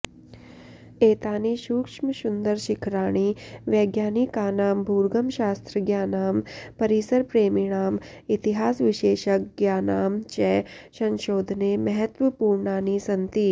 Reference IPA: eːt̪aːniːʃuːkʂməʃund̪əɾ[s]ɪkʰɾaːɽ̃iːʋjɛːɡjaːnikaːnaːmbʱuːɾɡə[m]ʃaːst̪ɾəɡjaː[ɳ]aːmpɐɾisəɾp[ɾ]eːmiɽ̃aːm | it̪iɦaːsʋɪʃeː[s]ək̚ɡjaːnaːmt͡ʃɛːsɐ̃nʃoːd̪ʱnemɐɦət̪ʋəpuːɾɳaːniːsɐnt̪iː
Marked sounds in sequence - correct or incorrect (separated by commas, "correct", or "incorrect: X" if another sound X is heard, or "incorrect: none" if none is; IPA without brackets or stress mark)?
incorrect: ʃ, correct, incorrect: n, correct, incorrect: ʃ